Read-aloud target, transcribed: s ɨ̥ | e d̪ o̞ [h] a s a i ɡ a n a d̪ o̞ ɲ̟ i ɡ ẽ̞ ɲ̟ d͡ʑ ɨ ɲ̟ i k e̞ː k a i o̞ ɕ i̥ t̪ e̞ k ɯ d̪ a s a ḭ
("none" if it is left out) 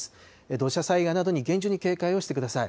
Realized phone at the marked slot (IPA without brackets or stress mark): ɕ